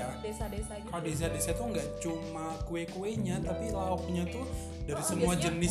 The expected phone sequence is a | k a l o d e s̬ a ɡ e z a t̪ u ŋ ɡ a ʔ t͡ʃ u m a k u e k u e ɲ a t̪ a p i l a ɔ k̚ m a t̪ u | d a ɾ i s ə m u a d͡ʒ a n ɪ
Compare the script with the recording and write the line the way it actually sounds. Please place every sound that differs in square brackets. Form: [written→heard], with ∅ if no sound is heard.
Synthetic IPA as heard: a | k a l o d e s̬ a [ɡ→d] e [z→s] a t̪ u ŋ ɡ a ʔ t͡ʃ u m a k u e k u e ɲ a t̪ a p i l a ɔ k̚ [m→ɲ] a t̪ u | d a ɾ i s ə m u a d͡ʒ [a→ə] n ɪ